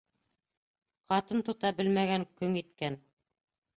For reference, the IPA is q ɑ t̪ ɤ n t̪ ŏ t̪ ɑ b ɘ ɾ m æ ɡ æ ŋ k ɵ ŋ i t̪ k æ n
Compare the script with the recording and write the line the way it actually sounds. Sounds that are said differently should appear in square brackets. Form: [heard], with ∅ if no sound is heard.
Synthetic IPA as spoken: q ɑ t̪ ɤ n t̪ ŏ t̪ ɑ b ɘ [l] m æ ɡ æ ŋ k ɵ ŋ i t̪ k æ n